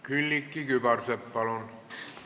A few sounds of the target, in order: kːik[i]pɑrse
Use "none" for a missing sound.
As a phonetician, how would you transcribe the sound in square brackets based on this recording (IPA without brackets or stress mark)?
y